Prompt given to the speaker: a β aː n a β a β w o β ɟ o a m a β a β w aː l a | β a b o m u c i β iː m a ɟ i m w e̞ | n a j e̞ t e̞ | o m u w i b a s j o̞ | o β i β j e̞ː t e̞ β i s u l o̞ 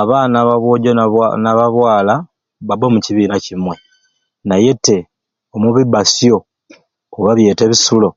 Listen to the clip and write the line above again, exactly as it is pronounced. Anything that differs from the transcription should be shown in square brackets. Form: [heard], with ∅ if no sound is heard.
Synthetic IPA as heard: a β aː n a β a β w o [∅] ɟ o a [n] a β a β w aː l a | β a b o m u c i β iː [n] a [c] i m w e̞ | n a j e̞ t e̞ | o m u [β] i b a s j o̞ | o β [a] β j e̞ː t e̞ β i s u l o̞